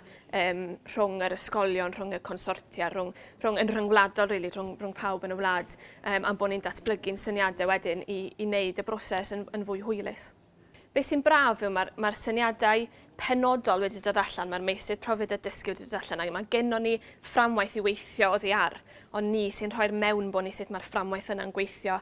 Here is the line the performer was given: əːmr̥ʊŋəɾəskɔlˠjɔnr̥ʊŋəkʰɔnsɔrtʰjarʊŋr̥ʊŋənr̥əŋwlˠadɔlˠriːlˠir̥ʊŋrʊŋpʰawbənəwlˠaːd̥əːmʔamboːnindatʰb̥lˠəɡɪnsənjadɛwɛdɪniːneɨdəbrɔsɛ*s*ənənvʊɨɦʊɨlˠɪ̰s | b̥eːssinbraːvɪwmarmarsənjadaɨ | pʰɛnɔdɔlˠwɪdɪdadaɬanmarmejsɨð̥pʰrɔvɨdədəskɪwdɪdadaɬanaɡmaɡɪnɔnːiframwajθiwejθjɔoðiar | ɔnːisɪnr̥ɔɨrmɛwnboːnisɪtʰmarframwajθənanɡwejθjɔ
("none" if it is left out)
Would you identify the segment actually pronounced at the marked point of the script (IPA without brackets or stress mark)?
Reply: s